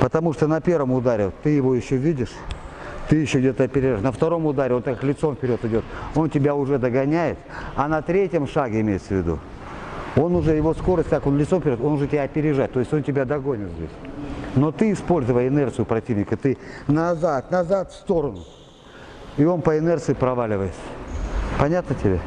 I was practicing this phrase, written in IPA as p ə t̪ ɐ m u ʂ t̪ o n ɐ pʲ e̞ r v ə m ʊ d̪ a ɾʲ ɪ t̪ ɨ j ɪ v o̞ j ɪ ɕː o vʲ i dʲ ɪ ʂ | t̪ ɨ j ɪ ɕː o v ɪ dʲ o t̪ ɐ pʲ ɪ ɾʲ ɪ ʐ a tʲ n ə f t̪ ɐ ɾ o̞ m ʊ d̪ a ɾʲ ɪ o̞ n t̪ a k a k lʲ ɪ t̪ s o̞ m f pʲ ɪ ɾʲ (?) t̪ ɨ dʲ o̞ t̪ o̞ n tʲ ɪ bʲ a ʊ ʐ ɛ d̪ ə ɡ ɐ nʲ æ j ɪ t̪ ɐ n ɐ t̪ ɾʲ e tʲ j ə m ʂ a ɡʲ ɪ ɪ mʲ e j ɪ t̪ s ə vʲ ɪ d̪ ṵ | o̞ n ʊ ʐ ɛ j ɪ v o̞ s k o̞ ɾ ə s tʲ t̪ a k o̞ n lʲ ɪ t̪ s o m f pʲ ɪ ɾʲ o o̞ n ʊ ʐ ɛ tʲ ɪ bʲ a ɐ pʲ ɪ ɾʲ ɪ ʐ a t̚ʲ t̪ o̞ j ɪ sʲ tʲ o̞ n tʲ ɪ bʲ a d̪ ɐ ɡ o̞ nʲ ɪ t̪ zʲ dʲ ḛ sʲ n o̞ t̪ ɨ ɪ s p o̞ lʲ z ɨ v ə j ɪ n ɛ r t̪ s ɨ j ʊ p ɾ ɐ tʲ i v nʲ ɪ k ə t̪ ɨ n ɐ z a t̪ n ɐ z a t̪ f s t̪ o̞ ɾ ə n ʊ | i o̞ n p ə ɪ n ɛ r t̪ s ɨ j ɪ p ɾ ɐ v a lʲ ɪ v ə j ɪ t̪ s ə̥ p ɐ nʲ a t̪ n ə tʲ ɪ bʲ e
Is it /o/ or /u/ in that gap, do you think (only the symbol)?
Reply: o